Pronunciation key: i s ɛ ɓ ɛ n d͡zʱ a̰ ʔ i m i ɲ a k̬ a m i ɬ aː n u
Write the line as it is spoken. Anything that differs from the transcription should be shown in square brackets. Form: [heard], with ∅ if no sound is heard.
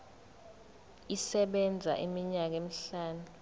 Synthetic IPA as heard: i s ɛ ɓ ɛ n d͡zʱ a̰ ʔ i m i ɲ a k̬ [e] m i ɬ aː n u